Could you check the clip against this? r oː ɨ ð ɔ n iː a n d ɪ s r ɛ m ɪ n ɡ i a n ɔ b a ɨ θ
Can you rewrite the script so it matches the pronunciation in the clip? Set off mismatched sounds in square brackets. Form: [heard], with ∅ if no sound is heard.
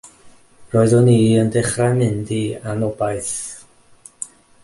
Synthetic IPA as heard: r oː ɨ ð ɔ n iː [ə] n d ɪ [χ] r [a] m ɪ n [d] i a n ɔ b a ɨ θ